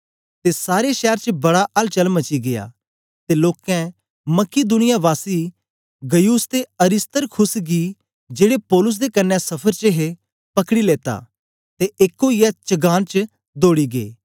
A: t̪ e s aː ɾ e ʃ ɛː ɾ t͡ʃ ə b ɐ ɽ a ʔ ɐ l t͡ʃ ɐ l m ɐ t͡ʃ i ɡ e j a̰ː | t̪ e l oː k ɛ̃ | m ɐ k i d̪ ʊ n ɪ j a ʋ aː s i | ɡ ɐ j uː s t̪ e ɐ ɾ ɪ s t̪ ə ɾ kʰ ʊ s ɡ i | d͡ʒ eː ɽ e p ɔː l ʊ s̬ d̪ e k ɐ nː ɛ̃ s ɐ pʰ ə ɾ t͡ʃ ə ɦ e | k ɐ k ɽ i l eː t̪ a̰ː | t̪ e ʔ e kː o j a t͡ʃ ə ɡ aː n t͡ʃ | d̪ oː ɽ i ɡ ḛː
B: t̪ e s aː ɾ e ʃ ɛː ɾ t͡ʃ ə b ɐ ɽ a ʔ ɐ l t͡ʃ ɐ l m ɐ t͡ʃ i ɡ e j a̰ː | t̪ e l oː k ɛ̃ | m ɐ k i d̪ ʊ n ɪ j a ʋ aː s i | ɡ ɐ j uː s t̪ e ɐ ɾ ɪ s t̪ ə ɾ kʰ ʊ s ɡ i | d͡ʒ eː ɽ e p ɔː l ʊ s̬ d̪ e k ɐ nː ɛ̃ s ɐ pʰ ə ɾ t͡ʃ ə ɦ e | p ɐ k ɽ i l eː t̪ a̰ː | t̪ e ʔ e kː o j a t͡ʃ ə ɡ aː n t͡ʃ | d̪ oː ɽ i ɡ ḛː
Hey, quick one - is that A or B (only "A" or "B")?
B